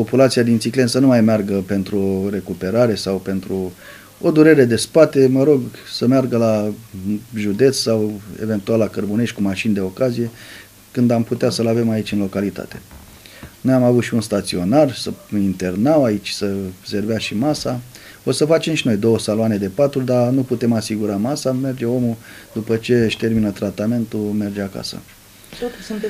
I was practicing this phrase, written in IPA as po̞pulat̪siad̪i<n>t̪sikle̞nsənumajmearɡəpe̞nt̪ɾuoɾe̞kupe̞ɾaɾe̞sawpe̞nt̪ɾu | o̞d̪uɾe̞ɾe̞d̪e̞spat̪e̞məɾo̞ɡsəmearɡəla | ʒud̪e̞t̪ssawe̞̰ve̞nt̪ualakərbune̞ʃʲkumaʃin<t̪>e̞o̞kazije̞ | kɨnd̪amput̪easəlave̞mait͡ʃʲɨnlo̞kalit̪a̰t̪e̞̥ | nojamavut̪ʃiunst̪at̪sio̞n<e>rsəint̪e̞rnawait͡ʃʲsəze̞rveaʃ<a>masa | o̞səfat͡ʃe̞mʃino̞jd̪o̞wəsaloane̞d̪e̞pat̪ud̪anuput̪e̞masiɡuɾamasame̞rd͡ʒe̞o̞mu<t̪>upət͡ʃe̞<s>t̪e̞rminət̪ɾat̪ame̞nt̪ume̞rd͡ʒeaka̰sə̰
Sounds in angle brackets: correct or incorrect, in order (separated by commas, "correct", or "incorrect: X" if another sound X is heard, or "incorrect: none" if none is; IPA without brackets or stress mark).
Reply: correct, incorrect: d̪, incorrect: a, incorrect: i, incorrect: d̪, incorrect: ʃ